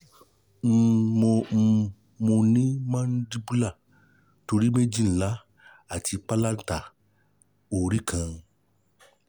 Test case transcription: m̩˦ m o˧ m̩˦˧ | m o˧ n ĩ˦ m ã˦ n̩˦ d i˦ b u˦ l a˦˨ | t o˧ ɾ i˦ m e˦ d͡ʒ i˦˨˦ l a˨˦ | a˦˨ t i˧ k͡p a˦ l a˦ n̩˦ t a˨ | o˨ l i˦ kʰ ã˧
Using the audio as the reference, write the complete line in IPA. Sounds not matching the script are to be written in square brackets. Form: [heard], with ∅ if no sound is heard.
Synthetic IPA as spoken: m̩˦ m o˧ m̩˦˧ | m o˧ n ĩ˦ m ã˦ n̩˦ d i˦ b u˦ l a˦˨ | t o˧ ɾ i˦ m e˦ d͡ʒ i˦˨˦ l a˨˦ | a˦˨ t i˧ k͡p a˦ l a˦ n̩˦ t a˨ | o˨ [ɾ] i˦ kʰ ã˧